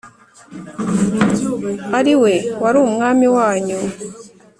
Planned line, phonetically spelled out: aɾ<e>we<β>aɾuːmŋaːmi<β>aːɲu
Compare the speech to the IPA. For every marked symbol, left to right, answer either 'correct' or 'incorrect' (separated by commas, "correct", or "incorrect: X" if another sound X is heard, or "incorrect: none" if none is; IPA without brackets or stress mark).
incorrect: i, incorrect: w, incorrect: w